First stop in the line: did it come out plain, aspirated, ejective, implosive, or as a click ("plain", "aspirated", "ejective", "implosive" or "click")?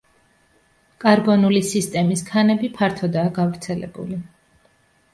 ejective